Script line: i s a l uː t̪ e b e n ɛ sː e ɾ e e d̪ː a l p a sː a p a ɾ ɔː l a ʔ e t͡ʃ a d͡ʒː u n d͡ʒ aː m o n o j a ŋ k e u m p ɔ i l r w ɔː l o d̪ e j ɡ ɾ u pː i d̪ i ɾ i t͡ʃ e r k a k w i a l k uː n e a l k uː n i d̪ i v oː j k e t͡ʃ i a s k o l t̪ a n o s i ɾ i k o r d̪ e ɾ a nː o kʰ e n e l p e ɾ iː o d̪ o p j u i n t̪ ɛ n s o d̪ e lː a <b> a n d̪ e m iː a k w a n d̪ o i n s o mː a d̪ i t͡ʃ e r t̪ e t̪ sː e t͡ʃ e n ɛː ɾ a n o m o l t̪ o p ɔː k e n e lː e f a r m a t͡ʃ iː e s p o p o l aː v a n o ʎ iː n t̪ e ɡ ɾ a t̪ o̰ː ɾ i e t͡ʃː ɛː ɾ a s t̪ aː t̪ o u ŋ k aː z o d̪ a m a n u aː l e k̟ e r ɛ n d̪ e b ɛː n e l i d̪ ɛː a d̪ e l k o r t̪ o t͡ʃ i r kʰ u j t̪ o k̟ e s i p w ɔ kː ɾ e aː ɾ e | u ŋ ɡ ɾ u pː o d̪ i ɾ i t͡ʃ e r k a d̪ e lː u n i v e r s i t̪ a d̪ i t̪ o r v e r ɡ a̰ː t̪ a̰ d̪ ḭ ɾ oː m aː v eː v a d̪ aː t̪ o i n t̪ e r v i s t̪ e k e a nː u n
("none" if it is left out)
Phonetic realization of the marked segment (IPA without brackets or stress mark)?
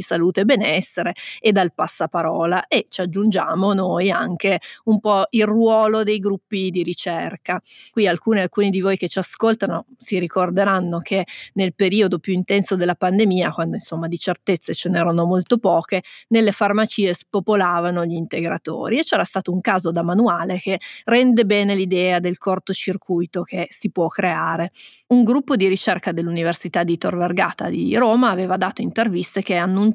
p